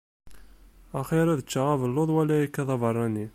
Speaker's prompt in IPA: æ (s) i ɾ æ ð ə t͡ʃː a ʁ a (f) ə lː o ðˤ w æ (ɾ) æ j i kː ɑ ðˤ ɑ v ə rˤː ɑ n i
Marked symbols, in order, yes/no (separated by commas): no, no, no